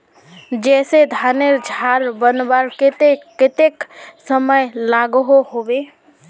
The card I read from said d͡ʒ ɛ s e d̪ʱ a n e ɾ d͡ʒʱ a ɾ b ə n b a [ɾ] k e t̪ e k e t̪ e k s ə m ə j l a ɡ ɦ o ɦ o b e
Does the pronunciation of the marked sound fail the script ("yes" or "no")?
no